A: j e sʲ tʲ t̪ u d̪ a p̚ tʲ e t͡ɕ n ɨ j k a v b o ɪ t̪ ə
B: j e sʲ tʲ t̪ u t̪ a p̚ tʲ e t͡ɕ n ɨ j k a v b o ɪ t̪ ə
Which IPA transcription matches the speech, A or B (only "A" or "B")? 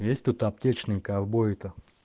B